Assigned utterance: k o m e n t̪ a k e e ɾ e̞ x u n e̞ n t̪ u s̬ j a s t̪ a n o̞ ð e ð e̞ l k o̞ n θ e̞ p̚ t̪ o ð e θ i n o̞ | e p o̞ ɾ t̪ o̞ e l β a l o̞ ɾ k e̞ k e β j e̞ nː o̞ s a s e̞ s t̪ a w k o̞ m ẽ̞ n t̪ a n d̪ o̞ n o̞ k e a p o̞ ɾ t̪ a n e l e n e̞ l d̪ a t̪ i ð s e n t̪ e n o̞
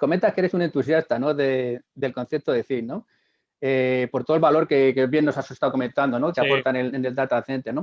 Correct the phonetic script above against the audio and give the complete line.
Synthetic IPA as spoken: k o m e n t̪ a k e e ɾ e̞ s u n e̞ n t̪ u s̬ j a s t̪ a n o̞ ð e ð e̞ l k o̞ n θ e̞ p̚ t̪ o ð e θ i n o̞ | e p o̞ ɾ t̪ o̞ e l β a l o̞ ɾ k e̞ k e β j e̞ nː o̞ s a s e̞ s t̪ a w k o̞ m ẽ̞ n t̪ a n d̪ o̞ n o̞ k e a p o̞ ɾ t̪ a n e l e n e̞ l d̪ a t̪ a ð θ e n t̪ e n o̞